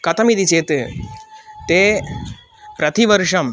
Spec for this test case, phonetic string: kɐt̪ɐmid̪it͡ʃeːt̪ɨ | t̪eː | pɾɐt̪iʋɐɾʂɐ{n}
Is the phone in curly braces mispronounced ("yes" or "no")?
yes